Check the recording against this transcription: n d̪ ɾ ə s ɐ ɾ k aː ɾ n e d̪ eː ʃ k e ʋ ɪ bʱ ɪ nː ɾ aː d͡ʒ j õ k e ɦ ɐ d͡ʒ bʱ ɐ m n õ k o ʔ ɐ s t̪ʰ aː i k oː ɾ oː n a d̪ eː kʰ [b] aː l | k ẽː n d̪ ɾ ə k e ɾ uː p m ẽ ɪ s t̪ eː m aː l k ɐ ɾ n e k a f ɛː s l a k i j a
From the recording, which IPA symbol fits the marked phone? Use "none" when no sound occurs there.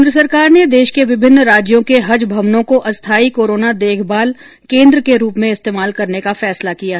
b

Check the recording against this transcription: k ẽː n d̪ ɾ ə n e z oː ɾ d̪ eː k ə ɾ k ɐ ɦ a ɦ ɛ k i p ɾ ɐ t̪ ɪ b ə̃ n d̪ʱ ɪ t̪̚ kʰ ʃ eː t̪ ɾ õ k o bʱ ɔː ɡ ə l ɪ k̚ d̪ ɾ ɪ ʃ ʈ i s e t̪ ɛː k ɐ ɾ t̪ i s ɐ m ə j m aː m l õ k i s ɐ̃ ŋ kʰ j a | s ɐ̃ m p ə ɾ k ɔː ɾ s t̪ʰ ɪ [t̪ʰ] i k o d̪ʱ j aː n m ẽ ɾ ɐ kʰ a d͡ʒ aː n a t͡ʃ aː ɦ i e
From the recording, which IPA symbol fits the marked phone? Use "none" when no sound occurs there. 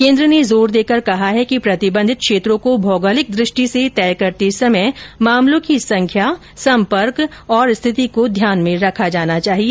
t̪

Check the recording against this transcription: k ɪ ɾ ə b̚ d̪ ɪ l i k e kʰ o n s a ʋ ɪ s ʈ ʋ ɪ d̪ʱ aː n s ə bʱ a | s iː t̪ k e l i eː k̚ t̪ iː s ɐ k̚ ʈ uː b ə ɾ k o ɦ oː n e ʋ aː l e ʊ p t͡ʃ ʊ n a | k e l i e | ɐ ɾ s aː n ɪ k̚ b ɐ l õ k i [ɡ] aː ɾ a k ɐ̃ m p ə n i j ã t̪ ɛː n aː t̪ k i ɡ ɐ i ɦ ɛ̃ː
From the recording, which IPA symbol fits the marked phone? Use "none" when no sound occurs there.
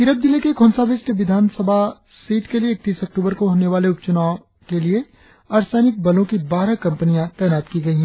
b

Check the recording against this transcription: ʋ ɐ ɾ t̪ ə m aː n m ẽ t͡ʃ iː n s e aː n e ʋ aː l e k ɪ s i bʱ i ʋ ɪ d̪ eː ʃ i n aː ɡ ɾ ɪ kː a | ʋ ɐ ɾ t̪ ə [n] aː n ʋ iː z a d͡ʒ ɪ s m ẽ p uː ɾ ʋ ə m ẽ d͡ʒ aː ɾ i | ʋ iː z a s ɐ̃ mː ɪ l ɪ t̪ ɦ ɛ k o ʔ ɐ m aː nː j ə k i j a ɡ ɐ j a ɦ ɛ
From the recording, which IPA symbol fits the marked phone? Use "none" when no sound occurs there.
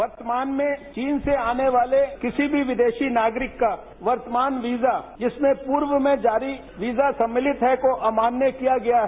m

